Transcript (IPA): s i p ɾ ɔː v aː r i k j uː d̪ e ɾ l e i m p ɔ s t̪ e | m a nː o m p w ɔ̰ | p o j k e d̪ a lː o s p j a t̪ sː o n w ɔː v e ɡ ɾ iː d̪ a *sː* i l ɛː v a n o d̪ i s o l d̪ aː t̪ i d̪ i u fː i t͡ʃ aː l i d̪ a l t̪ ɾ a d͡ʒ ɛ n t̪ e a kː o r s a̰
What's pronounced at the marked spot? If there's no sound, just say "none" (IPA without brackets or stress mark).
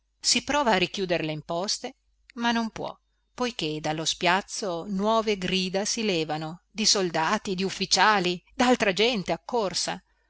s